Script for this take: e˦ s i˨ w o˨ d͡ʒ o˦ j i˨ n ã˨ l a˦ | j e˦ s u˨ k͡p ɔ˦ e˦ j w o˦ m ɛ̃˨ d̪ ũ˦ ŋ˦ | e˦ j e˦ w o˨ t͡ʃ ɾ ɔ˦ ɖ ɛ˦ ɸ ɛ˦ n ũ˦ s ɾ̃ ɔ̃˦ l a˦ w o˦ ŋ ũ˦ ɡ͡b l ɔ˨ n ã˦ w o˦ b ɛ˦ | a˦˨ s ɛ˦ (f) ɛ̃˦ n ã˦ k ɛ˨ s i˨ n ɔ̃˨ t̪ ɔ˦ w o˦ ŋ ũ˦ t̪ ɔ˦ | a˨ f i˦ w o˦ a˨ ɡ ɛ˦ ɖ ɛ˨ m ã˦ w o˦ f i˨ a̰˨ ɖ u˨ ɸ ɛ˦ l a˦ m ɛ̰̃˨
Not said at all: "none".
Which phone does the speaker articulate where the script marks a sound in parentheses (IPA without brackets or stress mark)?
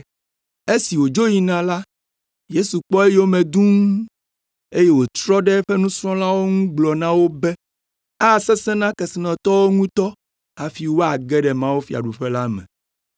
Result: s